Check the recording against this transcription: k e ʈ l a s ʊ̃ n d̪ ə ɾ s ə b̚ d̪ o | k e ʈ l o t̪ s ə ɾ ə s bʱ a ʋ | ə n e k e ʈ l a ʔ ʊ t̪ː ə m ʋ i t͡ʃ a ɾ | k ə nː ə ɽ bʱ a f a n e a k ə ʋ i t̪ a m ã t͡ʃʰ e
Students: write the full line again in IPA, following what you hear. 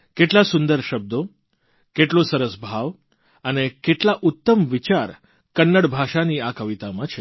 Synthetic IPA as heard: k e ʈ l a s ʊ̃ n d̪ ə ɾ ʃ ə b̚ d̪ o | k e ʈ l o s ə ɾ ə s bʱ a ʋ | ə n e k e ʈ l a ʔ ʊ t̪ː ə m ʋ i t͡ʃ a ɾ | k ə nː ə ɽ bʱ a ʃ a n i a k ə ʋ i t̪ a m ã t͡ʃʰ e